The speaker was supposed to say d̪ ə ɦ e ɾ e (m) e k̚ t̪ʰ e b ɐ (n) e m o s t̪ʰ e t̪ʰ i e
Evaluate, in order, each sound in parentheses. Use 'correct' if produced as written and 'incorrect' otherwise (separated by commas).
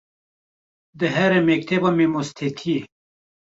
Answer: correct, incorrect